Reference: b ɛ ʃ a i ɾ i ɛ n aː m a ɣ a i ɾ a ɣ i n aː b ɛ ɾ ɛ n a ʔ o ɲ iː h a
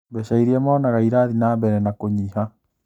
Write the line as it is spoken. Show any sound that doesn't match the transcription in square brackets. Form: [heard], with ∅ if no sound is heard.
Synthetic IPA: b ɛ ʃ a i ɾ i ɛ [m] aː [n] a ɣ a i ɾ a [ð] i n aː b ɛ ɾ ɛ n a [k] o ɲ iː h a

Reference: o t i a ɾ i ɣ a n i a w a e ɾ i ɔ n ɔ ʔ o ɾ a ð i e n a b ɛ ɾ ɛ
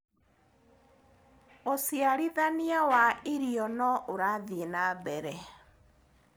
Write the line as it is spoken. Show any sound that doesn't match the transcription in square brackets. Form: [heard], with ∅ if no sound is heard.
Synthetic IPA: o [s] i a ɾ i [ð] a n i a w a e ɾ i ɔ n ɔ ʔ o ɾ a ð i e n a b ɛ ɾ ɛ

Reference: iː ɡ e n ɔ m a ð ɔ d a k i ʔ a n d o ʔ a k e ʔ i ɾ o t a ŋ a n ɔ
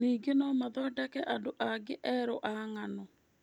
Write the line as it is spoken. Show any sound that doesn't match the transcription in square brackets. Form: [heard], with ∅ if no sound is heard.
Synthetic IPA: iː ɡ e n ɔ m a ð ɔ d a k [ɛ] ʔ a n d o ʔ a [ɡ] e ʔ [ɛ] ɾ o [ʔ] a ŋ a n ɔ

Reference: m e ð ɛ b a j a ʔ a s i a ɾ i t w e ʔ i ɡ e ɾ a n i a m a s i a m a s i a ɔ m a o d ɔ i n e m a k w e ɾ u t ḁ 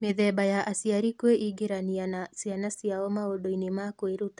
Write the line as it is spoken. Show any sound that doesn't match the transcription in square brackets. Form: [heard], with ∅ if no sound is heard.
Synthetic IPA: m e ð ɛ b a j a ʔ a s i a ɾ i [k] w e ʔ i ɡ e ɾ a n i a [n] a s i a [n] a s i a ɔ m a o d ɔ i n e m a k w e ɾ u t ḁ

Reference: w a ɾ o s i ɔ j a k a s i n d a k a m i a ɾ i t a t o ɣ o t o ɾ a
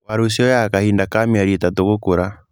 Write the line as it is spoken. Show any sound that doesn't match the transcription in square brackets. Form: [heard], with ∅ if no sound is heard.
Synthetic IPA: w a ɾ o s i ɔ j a k a [h] i n d a k a m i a ɾ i t a t o ɣ o [k] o ɾ a

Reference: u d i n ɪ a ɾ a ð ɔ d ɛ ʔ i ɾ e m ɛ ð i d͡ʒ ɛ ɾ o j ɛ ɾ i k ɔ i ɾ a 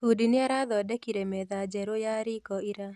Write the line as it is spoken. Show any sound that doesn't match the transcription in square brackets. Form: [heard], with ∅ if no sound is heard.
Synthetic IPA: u d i n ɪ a ɾ a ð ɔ d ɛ [k] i ɾ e m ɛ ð [a] d͡ʒ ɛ ɾ o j [a] ɾ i k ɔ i ɾ a

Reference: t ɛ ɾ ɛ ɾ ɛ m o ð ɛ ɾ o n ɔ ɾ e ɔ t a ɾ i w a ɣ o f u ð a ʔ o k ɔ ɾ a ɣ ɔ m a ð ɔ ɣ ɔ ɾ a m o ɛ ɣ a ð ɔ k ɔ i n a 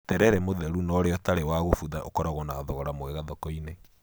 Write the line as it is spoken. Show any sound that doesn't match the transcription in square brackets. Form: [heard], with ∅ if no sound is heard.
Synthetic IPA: t ɛ ɾ ɛ ɾ ɛ m o ð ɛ ɾ [u] n ɔ ɾ e ɔ t a ɾ [e] w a ɣ o f u ð a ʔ o k ɔ ɾ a ɣ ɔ [n] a ð ɔ ɣ ɔ ɾ a m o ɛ ɣ a ð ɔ k ɔ i n [e]

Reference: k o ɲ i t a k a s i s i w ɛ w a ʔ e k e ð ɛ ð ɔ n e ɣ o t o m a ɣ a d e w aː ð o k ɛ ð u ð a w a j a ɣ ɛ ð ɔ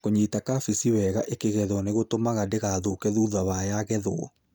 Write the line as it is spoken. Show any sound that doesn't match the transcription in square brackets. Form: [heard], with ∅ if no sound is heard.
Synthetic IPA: k o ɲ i t a k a [f] i s i w ɛ [ɣ] a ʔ e k e [ɣ] ɛ ð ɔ n e ɣ o t o m a ɣ a d e [ɣ] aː ð o k ɛ ð u ð a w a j a ɣ ɛ ð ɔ

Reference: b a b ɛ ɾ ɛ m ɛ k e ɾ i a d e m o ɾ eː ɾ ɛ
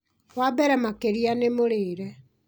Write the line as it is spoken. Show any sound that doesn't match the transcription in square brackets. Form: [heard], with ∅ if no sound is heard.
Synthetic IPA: [w] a b ɛ ɾ ɛ m [a] k e ɾ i a [n] e m o ɾ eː ɾ ɛ

